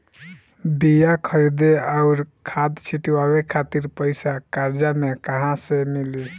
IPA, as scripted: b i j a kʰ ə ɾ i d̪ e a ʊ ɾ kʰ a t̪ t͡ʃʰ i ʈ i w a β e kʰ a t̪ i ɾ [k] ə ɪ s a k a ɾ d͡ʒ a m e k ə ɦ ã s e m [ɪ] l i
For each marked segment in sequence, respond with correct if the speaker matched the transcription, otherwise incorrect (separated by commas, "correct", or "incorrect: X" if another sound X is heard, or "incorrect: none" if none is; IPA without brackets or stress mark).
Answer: incorrect: p, incorrect: i